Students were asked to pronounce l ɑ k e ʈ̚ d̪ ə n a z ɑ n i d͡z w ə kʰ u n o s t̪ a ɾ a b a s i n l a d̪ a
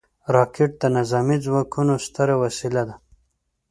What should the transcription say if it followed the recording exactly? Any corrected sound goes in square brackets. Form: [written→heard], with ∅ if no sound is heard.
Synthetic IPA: [l→ɾ] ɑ k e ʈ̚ d̪ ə n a z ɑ [n→m] i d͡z w [ə→ɑ] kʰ u n o s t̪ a ɾ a [b→w] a s i [n→∅] l a d̪ a